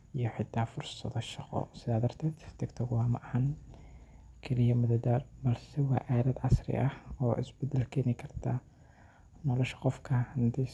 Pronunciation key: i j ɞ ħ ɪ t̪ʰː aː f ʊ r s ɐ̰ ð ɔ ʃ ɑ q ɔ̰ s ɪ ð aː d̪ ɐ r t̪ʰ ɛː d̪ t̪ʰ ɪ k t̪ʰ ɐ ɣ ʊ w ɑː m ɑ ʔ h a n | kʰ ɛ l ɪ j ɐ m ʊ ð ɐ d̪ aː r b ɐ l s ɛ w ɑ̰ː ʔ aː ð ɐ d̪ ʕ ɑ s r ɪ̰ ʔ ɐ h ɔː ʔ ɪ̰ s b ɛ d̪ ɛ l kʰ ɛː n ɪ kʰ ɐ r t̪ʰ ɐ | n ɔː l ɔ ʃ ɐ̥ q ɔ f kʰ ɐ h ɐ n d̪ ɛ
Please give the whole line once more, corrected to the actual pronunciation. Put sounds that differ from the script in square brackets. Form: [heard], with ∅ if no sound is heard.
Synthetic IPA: i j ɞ ħ ɪ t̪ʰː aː f ʊ r s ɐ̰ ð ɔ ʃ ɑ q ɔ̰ s ɪ ð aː d̪ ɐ r t̪ʰ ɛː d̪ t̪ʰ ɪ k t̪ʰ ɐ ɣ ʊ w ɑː m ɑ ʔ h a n | kʰ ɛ l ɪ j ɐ m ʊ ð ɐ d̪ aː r b ɐ l s ɛ w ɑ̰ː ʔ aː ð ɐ d̪ ʕ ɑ s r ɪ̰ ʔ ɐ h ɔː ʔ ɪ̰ s b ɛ d̪ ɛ l kʰ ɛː n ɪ kʰ ɐ r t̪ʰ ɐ | n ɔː l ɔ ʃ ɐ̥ q ɔ f kʰ ɐ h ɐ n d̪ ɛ